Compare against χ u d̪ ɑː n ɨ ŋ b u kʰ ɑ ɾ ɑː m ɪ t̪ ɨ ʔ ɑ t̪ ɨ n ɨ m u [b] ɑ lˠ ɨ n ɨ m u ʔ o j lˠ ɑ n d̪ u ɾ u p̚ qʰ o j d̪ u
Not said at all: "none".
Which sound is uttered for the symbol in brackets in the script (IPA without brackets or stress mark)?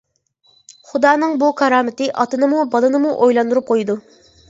b